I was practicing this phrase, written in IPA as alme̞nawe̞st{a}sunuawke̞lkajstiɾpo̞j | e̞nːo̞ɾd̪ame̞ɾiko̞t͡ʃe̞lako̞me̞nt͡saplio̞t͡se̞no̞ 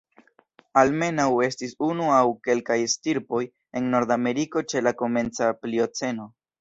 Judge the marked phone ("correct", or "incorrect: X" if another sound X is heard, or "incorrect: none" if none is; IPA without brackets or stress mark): incorrect: i